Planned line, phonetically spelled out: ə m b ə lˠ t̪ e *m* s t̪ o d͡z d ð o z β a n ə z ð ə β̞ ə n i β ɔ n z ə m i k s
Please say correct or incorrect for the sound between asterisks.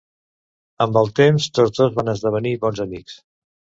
correct